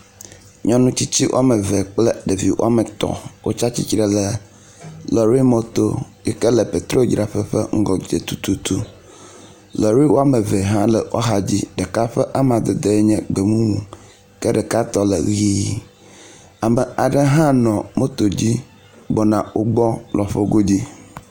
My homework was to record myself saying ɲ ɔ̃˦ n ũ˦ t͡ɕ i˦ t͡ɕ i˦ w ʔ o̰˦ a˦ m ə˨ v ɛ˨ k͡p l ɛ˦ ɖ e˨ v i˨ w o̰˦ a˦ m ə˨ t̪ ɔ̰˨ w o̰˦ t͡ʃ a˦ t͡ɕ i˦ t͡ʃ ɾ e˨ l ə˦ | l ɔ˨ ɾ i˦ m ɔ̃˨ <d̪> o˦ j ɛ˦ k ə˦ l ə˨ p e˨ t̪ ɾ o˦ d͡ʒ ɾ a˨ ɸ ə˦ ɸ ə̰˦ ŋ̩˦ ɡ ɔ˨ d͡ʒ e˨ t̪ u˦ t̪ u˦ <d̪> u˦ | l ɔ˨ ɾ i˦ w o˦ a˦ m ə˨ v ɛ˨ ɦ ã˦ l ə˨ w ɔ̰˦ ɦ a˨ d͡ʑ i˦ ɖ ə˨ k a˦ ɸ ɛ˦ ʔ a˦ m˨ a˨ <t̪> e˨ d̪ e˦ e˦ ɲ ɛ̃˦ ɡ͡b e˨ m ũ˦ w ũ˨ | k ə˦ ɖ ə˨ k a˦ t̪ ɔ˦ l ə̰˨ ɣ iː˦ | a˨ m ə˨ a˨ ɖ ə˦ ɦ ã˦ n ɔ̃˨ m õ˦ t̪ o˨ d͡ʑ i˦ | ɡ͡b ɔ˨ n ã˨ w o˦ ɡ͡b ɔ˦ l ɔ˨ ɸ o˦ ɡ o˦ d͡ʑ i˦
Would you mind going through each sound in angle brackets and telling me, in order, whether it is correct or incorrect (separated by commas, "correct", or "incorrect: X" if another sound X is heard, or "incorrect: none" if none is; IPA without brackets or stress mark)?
incorrect: t̪, incorrect: t̪, incorrect: d̪